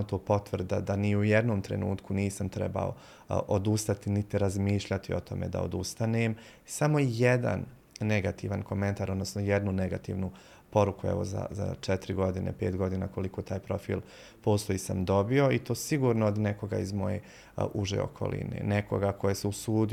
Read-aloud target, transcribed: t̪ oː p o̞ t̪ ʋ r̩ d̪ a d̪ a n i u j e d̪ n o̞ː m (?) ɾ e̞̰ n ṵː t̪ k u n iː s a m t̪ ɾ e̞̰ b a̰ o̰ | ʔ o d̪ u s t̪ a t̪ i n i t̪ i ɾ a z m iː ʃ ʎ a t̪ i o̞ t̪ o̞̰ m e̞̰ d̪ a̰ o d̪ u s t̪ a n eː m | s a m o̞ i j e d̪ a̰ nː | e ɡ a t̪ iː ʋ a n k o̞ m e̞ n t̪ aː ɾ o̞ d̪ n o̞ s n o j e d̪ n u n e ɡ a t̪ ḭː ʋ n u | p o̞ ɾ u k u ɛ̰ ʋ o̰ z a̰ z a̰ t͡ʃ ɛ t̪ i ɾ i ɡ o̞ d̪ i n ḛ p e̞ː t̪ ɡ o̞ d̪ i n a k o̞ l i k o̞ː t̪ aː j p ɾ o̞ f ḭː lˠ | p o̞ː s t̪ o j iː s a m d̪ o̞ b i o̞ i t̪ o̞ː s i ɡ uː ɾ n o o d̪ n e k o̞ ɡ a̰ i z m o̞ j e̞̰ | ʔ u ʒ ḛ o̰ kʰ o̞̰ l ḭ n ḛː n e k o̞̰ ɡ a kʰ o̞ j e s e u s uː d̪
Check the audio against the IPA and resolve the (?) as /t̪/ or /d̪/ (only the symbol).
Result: t̪